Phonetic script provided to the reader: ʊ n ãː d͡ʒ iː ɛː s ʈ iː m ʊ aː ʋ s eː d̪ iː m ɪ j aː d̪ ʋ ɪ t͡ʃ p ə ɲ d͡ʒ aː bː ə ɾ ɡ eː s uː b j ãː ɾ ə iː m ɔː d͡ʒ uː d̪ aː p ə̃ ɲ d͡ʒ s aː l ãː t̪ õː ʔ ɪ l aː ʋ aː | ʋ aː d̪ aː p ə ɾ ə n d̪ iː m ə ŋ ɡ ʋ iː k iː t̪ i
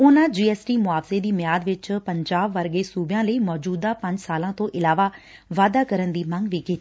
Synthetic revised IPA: ʊ n ãː d͡ʒ iː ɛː s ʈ iː m ʊ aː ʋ s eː d̪ iː m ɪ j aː d̪ ʋ ɪ t͡ʃ p ə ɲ d͡ʒ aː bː ə ɾ ɡ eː s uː b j ãː l ə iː m ɔː d͡ʒ uː d̪ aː p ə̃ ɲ d͡ʒ s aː l ãː t̪ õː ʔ ɪ l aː ʋ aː | ʋ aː d̪ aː k ə ɾ ə n d̪ iː m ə ŋ ɡ ʋ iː k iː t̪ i